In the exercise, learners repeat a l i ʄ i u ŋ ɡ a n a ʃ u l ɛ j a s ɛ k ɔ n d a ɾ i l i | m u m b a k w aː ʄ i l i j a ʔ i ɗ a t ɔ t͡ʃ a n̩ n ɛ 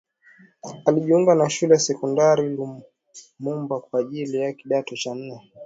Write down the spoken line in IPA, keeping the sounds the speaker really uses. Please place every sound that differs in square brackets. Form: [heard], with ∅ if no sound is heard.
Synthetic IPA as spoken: a l i ʄ i u ŋ ɡ a n a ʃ u l ɛ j a s ɛ k ɔ n d a ɾ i l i | m u m b a k w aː ʄ i l i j a [k] i ɗ a t ɔ t͡ʃ a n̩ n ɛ